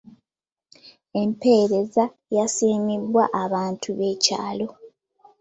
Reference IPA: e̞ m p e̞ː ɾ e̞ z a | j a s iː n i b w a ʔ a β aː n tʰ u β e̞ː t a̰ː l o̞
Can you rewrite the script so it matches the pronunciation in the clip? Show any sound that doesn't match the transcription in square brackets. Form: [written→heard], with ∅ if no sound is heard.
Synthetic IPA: e̞ m p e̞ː ɾ e̞ z a | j a s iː [n→m] i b w a ʔ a β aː n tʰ u β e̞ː [t→c] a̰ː l o̞